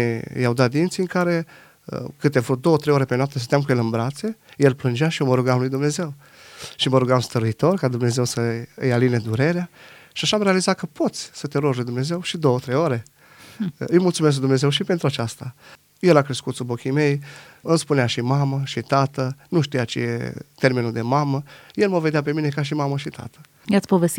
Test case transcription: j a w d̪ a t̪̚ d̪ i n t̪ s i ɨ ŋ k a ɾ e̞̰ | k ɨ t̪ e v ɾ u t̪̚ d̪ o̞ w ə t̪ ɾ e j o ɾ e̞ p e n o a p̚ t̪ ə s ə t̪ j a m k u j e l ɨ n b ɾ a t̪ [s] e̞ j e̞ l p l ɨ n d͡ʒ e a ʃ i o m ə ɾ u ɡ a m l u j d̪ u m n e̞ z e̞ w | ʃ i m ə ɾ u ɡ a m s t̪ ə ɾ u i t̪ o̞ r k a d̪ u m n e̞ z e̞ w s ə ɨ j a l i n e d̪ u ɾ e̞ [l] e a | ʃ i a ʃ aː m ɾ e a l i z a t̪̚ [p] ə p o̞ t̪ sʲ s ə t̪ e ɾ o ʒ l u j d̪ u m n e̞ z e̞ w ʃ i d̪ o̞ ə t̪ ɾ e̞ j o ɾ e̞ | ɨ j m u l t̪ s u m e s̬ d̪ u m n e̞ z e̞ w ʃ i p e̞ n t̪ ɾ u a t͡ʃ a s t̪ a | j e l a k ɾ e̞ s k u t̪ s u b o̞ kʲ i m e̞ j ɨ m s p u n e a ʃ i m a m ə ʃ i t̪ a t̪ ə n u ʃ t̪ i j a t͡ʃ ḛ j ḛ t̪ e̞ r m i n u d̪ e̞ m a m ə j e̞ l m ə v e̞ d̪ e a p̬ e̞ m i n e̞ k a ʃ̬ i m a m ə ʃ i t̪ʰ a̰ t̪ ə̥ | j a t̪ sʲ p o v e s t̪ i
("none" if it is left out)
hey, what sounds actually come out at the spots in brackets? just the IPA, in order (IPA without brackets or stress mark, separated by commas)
s, ɾ, k